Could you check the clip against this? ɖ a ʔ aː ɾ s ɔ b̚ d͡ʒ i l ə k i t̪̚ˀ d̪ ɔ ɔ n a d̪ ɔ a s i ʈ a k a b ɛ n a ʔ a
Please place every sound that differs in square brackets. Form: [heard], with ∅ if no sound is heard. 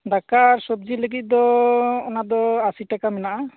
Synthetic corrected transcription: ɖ a [k] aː ɾ s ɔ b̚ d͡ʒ i l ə [ɡ] i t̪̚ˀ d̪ ɔ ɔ n a d̪ ɔ a s i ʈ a k a [m] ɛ n a ʔ a